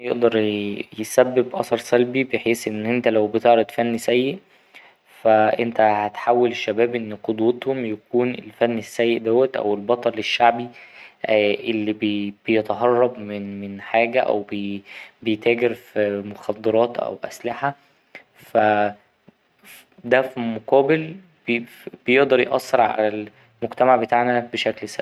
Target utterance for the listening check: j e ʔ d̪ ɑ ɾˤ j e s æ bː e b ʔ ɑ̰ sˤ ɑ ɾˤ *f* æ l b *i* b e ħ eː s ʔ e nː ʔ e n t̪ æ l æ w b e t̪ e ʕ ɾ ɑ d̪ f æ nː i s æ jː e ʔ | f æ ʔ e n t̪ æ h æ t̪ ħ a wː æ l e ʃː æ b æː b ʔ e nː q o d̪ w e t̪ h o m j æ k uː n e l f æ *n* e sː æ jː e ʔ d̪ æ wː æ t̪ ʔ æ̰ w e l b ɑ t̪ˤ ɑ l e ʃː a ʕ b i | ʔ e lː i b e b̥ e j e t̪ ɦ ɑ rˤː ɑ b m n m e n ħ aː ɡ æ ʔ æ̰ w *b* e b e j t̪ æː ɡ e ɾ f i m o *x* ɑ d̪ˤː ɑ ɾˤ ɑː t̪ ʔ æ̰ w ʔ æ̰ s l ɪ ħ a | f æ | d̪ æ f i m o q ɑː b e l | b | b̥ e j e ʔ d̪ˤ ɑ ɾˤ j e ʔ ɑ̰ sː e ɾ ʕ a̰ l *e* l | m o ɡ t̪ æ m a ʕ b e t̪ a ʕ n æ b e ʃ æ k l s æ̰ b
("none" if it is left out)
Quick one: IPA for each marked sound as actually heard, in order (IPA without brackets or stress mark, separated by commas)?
s, i, nː, b, x, æ